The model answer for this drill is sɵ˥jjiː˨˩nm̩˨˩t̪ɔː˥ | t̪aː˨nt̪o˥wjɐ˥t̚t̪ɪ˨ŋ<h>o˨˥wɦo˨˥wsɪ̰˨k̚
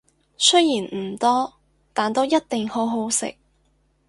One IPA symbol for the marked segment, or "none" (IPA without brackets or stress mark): h